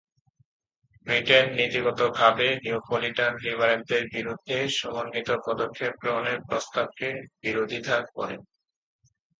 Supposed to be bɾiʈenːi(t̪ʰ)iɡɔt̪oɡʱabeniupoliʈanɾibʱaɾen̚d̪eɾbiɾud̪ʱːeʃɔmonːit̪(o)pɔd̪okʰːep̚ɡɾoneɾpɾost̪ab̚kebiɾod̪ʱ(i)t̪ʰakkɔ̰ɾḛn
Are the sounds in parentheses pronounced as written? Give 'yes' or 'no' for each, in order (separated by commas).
no, yes, yes